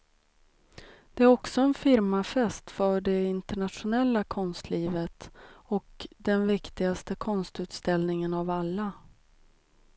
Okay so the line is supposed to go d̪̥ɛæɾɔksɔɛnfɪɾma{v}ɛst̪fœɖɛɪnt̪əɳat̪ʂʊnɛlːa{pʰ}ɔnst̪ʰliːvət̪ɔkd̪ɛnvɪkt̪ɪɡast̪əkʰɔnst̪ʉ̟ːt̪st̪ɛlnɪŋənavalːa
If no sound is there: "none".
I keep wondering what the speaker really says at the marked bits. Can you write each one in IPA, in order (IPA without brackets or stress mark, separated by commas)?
f, kʰ